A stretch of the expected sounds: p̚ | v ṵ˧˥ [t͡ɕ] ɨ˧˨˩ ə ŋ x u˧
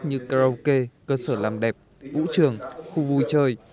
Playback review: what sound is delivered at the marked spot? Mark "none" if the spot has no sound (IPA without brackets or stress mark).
t͡ɕ